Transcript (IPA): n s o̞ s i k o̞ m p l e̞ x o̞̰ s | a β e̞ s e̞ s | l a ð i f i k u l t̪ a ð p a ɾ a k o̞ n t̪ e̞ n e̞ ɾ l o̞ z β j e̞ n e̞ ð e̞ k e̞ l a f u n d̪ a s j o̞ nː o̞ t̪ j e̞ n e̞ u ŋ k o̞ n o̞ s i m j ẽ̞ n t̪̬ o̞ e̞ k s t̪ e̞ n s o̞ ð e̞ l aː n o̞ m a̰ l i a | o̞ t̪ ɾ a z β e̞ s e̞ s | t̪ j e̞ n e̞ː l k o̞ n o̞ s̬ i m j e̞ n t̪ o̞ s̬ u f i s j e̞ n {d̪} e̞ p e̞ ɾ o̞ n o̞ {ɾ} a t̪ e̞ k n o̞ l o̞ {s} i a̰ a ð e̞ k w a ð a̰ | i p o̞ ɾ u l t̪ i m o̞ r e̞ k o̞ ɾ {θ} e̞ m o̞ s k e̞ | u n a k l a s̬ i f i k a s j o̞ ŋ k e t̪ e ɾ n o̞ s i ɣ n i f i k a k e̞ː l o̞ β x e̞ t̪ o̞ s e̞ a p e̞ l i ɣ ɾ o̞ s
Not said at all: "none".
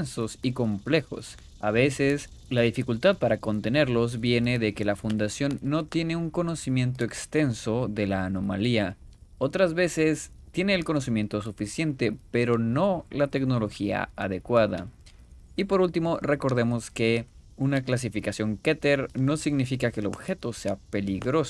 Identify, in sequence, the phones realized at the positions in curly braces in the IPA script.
t̪, l, x, ð

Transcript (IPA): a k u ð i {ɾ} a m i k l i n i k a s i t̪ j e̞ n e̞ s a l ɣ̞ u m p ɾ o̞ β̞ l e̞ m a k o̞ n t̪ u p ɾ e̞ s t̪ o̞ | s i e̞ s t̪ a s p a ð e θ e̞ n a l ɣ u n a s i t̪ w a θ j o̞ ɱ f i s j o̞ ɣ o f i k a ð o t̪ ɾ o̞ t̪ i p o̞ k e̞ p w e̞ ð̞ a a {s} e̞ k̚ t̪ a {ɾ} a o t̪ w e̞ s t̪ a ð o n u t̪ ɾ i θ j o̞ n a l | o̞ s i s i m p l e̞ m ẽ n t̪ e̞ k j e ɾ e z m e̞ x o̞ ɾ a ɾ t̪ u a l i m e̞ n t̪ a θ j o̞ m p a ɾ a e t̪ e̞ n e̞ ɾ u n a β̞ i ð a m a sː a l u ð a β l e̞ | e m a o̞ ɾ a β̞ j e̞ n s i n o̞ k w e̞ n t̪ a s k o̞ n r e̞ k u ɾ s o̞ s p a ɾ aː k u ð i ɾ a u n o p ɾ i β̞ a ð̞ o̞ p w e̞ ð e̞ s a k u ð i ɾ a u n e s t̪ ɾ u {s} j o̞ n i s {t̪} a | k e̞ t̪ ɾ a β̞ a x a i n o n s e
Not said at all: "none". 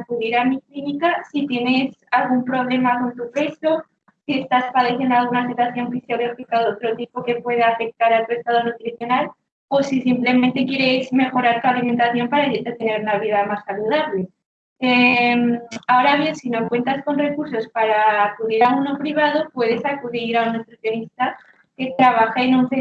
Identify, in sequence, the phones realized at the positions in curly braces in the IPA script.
ɾ, f, ɾ, θ, t̪

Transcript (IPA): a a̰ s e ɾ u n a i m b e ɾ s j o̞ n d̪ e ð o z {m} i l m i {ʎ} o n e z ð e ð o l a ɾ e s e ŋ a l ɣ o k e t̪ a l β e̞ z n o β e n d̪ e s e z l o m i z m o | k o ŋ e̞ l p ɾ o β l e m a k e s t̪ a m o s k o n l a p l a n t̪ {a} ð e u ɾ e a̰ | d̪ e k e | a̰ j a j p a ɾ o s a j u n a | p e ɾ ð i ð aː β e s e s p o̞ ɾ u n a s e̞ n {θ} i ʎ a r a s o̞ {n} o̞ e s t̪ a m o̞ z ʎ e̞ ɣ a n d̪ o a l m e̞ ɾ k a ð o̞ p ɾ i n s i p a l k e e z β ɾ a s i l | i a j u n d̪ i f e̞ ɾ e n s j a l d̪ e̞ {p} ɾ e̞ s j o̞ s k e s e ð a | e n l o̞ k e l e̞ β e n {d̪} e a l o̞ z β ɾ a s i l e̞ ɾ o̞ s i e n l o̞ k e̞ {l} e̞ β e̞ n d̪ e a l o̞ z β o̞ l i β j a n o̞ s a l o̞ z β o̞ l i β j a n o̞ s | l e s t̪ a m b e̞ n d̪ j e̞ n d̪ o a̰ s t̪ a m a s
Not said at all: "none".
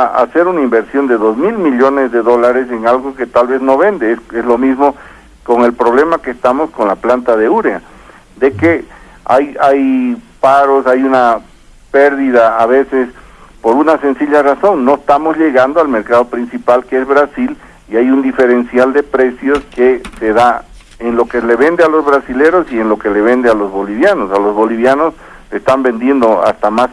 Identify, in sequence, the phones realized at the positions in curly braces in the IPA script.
m, ʎ, a, s, nː, p, d̪, l

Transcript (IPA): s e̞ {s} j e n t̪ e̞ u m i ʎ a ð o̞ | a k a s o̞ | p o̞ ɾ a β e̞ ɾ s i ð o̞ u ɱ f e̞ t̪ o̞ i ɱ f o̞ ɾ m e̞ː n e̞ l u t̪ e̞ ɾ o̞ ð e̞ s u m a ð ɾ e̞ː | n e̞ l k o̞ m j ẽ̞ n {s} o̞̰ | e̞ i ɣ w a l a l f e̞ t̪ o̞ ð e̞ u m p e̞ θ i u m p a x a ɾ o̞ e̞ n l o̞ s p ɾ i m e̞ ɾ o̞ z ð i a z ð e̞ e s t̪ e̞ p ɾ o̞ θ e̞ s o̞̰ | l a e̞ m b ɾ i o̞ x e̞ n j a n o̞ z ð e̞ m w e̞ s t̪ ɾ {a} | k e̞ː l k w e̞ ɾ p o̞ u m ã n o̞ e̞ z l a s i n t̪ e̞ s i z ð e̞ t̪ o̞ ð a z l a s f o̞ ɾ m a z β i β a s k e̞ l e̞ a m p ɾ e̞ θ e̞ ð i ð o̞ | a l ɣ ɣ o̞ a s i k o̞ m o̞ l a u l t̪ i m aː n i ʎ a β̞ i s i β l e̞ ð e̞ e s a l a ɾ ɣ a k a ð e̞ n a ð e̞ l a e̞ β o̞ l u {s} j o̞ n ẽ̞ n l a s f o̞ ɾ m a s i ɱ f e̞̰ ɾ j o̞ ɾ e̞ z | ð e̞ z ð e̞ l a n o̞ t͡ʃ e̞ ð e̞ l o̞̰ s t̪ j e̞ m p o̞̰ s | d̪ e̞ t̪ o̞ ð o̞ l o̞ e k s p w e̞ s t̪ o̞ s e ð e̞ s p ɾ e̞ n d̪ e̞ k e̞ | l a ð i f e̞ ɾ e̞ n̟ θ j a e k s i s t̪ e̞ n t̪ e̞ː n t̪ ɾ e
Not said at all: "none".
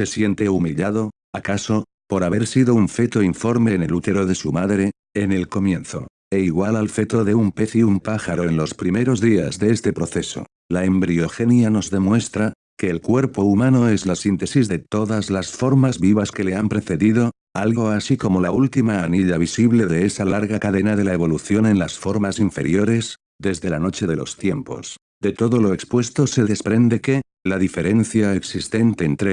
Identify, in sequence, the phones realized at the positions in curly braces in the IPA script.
s, θ, a, θ

